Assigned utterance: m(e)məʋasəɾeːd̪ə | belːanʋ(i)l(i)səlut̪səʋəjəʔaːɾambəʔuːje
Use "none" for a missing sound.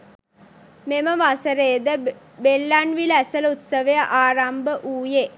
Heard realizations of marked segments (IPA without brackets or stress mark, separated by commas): e, i, æ